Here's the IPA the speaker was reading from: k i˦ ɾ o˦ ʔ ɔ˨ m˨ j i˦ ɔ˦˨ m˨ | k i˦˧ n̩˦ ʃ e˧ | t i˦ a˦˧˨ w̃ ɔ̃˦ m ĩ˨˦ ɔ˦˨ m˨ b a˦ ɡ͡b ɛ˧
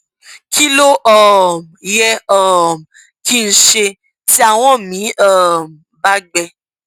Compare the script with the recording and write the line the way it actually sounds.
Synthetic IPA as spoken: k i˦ l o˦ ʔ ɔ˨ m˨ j ɛ˦ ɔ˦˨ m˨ | k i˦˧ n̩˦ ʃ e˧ | t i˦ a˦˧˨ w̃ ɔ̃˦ m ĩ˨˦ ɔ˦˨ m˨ b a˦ ɡ͡b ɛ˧

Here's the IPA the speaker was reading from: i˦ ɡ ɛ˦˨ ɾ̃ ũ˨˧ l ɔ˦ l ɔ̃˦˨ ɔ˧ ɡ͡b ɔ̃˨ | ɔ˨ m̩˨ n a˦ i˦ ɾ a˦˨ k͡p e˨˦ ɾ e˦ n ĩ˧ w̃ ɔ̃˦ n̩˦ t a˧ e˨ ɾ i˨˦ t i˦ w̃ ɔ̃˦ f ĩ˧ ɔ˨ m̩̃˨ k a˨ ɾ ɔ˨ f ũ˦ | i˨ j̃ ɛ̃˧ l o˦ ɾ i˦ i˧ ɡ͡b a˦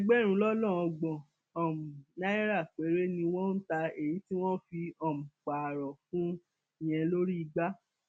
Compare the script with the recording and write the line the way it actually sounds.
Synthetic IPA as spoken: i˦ ɡ͡b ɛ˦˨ ɾ̃ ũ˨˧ l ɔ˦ l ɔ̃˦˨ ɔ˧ ɡ͡b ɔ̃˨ | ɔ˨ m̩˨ n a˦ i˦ ɾ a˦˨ k͡p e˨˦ ɾ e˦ n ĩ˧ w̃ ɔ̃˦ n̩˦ t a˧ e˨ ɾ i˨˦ t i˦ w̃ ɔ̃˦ f i˧ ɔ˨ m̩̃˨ k͡p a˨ ɾ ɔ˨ f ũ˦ | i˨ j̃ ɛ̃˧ l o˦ ɾ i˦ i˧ ɡ͡b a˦

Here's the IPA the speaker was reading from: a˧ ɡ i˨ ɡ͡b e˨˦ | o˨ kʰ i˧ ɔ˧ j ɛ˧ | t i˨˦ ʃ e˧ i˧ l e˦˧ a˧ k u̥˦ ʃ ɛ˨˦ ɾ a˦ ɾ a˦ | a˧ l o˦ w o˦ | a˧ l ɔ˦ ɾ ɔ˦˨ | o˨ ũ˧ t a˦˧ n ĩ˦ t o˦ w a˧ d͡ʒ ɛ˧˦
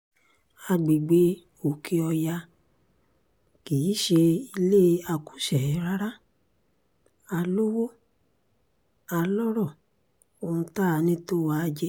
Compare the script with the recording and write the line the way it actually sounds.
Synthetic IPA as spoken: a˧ ɡ͡b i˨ ɡ͡b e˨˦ | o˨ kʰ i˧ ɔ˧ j a˧ | k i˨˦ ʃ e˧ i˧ l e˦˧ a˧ k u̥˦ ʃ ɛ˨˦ ɾ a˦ ɾ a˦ | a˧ l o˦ w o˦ | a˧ l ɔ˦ ɾ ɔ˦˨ | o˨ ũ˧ t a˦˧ n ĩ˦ t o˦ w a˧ d͡ʒ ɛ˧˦

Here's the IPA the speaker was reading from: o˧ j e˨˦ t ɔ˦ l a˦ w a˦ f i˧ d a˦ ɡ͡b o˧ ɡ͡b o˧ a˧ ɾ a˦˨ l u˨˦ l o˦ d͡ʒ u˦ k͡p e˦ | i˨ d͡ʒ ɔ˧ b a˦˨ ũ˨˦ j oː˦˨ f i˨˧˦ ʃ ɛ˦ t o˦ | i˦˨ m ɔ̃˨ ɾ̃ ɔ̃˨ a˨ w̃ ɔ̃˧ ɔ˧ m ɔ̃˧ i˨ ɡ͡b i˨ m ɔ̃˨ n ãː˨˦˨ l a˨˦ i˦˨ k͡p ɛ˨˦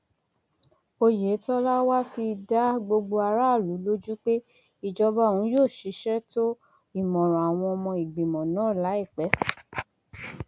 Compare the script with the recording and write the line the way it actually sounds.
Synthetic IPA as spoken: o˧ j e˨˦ t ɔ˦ l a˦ w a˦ f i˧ d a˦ ɡ͡b o˧ ɡ͡b o˧ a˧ ɾ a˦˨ l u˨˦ l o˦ d͡ʒ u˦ k͡p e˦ | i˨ d͡ʒ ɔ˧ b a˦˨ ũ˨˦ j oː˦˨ ʃ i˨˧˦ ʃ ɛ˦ t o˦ | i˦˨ m ɔ̃˨ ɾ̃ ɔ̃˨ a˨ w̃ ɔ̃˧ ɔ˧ m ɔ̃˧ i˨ ɡ͡b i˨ m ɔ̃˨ n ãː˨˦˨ l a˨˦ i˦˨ k͡p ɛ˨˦

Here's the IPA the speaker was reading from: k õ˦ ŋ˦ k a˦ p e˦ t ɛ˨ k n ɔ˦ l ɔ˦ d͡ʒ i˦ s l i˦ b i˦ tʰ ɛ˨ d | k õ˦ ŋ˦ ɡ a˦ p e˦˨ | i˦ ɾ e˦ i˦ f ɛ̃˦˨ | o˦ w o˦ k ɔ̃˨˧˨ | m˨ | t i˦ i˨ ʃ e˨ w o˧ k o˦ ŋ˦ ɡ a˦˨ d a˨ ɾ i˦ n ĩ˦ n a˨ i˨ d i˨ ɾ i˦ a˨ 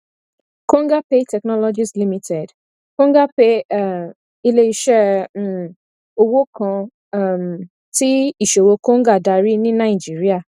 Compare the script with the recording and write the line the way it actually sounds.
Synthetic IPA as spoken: k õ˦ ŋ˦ ɡ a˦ p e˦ t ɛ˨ k n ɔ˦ l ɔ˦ d͡ʒ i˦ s l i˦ m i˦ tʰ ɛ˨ d | k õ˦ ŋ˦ ɡ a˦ p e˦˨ | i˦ l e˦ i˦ ʃ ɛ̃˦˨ | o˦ w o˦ k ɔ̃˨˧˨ | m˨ | t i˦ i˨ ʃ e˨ w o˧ k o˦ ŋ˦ ɡ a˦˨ d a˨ ɾ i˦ n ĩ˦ n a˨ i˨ d͡ʒ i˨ ɾ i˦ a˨

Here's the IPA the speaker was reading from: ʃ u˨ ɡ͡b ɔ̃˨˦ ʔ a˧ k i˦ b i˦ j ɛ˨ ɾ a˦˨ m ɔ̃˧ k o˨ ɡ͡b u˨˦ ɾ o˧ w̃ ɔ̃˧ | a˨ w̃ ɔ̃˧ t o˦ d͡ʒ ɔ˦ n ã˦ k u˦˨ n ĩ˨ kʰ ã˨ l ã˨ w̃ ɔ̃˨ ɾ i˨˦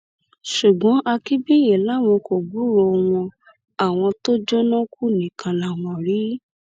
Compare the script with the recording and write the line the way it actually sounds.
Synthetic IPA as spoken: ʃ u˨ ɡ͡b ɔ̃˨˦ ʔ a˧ k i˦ b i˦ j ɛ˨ l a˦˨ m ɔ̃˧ k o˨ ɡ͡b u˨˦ ɾ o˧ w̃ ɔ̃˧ | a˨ w̃ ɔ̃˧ t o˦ d͡ʒ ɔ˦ n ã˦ k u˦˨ n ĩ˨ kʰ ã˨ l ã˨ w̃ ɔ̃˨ ɾ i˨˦

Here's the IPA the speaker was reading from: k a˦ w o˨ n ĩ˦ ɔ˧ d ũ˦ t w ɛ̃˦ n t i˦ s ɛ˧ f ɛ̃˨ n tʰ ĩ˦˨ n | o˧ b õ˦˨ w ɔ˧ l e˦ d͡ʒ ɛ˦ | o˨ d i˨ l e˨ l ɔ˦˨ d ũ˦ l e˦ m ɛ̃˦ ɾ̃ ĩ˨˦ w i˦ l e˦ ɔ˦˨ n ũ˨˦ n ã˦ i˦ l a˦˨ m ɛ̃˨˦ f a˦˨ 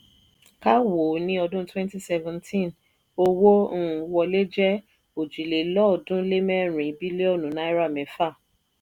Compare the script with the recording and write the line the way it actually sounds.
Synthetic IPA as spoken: k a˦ w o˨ n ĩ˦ ɔ˧ d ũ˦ t w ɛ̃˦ n t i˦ s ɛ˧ v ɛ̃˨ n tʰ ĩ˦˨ n | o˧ w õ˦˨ w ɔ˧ l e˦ d͡ʒ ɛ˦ | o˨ d͡ʒ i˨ l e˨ l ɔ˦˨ d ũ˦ l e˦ m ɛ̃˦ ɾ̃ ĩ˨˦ b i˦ l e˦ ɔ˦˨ n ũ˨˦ n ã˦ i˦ ɾ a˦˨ m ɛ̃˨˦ f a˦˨

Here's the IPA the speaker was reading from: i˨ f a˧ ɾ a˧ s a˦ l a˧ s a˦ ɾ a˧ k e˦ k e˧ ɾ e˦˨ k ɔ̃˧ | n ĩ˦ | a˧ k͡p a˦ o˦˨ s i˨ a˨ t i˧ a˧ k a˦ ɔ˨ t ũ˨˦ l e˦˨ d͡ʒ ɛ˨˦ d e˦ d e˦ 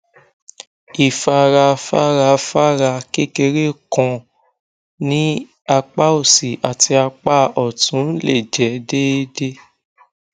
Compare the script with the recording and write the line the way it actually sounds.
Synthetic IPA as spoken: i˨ f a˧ ɾ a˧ f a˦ ɾ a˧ f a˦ ɾ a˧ k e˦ k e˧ ɾ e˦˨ k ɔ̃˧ | n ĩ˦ | a˧ k͡p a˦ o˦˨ s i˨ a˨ t i˧ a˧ k͡p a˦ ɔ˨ t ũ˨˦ l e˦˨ d͡ʒ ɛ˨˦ d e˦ d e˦

